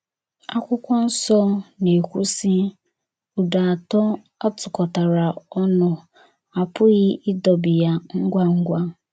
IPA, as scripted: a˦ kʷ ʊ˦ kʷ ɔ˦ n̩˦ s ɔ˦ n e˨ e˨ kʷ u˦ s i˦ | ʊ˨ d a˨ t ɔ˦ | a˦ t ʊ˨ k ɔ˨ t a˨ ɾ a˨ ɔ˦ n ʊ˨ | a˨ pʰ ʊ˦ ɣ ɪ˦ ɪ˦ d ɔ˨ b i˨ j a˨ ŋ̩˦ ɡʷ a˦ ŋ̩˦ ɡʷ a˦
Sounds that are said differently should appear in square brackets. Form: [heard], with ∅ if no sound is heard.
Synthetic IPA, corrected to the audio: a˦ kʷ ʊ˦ kʷ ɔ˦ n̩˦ s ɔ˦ n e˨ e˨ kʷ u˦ s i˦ | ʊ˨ d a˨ t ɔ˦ | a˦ t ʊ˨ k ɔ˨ t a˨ ɾ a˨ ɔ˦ n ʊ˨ | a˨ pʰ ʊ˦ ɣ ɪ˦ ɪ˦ d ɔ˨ b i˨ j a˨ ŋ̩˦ ɡʷ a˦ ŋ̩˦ ɡʷ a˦